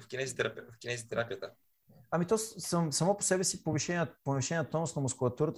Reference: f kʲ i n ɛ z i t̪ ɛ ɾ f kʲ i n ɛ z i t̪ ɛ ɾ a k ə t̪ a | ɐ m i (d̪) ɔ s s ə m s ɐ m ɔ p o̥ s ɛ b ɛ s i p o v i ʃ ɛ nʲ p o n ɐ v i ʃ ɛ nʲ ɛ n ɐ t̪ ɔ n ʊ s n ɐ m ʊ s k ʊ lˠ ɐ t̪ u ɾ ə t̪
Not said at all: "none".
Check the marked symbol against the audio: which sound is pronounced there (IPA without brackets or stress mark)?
t̪